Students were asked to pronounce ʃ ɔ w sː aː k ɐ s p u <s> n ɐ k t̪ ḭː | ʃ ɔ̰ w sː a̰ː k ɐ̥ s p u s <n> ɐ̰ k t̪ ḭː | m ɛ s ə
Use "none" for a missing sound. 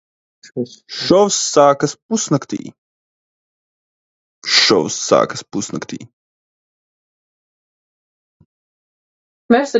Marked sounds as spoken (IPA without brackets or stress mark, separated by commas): s, n